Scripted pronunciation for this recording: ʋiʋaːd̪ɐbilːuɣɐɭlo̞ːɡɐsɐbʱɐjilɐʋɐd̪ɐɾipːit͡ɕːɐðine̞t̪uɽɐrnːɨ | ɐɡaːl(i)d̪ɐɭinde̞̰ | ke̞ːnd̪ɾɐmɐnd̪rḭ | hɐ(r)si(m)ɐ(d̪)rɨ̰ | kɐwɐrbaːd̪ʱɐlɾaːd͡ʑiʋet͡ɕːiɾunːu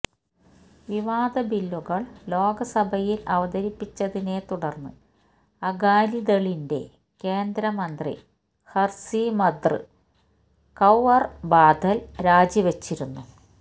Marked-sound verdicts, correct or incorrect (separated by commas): correct, correct, correct, correct